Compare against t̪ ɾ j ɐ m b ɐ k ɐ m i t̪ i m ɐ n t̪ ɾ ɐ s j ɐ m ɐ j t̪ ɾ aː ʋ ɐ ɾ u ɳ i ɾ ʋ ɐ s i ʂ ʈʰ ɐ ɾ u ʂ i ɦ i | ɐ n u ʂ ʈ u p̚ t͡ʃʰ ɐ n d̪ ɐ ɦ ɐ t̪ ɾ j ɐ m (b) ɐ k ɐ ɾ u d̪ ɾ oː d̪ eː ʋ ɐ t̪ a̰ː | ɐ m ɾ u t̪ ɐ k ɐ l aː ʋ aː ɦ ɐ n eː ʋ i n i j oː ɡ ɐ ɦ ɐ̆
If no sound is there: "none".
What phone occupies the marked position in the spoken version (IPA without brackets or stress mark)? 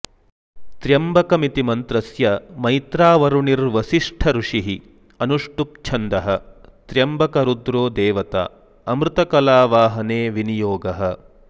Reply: b